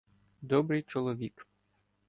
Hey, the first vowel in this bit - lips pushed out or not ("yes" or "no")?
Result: yes